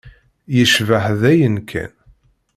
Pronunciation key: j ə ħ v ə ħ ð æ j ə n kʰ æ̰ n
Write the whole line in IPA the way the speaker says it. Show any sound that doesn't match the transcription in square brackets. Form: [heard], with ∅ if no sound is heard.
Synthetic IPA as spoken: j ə [ʃ] v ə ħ ð æ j ə n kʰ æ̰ n